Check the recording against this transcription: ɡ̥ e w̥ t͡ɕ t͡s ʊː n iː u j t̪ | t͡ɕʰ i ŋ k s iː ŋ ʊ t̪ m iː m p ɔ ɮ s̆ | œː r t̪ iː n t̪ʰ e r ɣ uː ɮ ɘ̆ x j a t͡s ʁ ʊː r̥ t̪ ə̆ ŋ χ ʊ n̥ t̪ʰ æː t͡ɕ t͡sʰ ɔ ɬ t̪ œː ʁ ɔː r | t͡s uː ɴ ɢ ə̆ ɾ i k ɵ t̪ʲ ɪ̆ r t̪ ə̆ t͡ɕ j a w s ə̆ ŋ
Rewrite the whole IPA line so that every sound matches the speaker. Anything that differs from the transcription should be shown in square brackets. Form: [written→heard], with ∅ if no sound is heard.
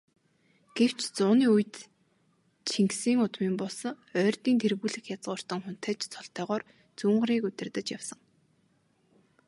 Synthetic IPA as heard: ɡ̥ e w̥ t͡ɕ t͡s ʊː n iː u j t̪ | t͡ɕʰ i ŋ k s iː ŋ ʊ t̪ m iː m p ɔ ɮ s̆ | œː r t̪ iː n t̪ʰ e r ɣ uː ɮ ɘ̆ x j a t͡s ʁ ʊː r̥ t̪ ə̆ ŋ χ ʊ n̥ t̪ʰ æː t͡ɕ t͡sʰ ɔ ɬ t̪ œː ʁ ɔː r | t͡s uː ɴ ɢ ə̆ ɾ [i→iː] k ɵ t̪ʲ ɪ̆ r t̪ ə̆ t͡ɕ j a w s ə̆ ŋ